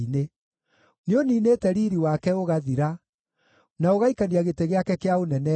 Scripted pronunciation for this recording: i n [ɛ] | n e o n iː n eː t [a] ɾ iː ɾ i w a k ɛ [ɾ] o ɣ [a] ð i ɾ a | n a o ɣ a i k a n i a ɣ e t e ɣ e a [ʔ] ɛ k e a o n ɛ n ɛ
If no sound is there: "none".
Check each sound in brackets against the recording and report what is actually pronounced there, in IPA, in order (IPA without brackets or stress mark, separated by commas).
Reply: e, ɛ, none, a, k